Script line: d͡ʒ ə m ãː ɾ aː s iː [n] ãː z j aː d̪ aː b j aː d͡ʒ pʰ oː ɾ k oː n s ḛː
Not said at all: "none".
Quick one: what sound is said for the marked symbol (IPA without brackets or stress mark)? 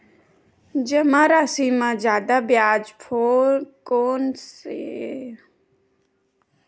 m